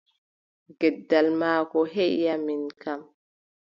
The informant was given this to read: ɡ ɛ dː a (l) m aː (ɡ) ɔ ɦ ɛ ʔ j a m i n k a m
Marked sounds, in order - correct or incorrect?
correct, incorrect: k

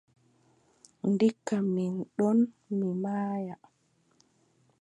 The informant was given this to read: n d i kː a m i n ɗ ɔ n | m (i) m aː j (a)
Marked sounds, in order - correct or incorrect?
correct, correct

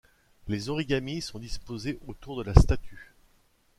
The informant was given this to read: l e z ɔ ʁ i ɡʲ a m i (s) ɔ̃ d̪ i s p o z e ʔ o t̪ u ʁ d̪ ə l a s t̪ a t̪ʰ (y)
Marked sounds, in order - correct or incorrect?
correct, correct

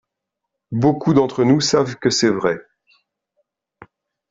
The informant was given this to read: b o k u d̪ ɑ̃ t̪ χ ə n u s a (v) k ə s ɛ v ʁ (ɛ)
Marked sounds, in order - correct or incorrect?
correct, correct

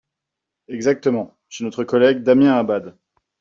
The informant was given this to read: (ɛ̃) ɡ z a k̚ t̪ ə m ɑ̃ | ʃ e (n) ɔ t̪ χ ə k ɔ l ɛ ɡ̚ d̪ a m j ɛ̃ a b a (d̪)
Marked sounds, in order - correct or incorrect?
incorrect: ɛ, correct, correct

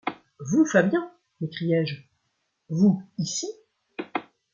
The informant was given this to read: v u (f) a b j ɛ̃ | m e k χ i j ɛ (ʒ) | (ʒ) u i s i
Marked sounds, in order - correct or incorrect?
correct, correct, incorrect: v

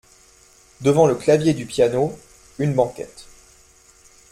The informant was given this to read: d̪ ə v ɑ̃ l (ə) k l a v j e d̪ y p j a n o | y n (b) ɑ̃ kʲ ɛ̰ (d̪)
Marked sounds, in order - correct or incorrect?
correct, correct, incorrect: t̪

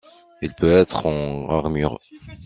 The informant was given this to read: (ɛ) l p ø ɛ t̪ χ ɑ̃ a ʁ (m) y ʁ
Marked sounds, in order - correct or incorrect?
incorrect: i, correct

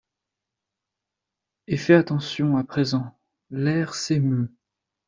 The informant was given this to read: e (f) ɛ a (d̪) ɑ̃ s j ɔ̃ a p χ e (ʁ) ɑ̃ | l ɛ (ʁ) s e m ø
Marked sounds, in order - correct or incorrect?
correct, incorrect: t̪, incorrect: z, correct

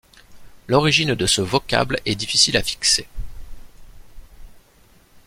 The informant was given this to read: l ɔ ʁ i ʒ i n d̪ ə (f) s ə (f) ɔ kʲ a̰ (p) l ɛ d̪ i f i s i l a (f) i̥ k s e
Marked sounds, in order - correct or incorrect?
incorrect: none, incorrect: v, incorrect: b, correct

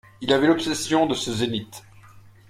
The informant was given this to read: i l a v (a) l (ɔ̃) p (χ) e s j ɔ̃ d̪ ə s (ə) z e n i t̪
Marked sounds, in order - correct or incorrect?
incorrect: ɛ, incorrect: ɔ, incorrect: s, correct

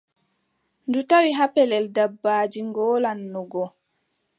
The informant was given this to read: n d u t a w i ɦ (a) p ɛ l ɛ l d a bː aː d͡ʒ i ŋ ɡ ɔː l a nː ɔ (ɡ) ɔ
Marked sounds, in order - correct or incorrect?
correct, correct

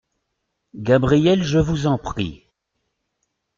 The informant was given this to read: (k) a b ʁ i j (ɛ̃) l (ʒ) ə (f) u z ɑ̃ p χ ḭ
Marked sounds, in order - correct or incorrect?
incorrect: ɡ, incorrect: ɛ, correct, incorrect: v

